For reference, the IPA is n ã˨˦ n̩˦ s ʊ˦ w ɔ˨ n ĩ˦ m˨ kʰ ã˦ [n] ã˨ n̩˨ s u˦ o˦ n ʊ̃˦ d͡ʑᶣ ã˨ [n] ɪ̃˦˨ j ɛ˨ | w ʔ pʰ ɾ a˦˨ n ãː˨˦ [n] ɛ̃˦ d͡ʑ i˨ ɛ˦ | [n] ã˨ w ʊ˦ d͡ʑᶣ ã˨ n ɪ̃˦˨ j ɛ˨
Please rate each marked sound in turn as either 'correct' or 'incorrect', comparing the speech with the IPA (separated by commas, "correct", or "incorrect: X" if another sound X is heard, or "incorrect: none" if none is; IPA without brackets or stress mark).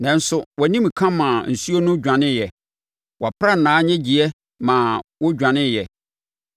incorrect: m, correct, incorrect: ɲ, incorrect: m